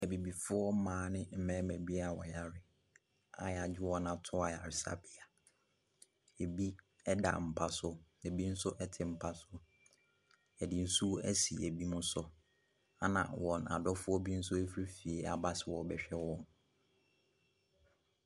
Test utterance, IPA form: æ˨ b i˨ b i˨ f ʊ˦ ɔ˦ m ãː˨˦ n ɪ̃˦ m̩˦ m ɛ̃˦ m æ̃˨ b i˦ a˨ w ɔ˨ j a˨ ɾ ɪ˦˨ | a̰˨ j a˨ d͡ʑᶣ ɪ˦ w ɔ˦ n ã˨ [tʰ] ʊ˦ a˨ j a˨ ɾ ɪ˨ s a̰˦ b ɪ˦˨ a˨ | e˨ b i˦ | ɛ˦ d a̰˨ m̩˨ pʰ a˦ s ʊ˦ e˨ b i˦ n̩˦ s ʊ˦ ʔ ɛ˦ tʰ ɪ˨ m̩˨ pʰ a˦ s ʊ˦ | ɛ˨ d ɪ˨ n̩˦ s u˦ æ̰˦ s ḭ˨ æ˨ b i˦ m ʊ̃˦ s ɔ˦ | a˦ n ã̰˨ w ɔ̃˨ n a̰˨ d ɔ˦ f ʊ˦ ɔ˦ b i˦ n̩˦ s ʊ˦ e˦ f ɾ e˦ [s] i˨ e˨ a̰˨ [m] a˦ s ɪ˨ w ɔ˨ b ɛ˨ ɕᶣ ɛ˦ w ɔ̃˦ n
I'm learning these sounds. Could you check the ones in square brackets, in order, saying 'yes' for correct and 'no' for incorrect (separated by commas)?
yes, no, no